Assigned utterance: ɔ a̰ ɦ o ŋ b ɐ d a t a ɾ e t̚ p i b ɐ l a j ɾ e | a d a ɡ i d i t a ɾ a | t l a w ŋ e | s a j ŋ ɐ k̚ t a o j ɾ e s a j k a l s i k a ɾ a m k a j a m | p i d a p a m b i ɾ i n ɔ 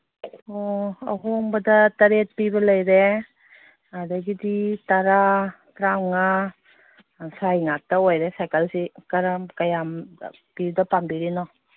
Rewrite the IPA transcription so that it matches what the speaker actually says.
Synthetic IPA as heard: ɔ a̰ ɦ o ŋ b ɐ d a t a ɾ e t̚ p i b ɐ l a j ɾ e | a d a ɡ i d i t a ɾ a | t ɾ a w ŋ a | s a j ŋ a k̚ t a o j ɾ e s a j k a l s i k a ɾ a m k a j a m | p i d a p a m b i ɾ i n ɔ